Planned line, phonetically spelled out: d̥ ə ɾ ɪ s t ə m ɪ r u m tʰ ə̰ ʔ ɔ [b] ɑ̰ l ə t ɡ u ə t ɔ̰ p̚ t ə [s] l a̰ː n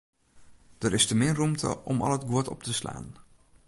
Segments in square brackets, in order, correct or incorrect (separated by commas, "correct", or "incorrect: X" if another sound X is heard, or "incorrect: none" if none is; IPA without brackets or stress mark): incorrect: m, correct